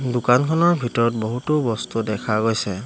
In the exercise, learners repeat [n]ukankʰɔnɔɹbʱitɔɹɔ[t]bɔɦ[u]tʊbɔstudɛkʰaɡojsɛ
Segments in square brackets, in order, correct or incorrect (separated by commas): incorrect, correct, correct